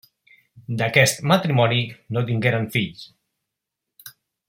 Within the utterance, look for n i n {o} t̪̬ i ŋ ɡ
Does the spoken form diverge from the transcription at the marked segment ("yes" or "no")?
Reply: no